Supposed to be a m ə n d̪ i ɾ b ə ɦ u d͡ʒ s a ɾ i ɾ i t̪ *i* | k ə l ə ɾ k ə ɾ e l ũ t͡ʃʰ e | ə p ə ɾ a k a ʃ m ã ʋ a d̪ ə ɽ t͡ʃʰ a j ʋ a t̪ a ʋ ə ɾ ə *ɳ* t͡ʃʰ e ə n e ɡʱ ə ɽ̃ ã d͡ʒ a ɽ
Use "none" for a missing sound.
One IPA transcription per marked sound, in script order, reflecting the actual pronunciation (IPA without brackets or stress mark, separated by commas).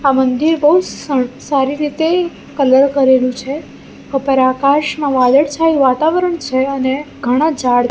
e, ɳ